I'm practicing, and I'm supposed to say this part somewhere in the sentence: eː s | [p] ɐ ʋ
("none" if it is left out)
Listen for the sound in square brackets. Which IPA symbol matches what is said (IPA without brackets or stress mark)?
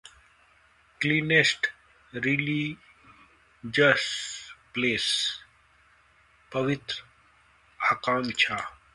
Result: p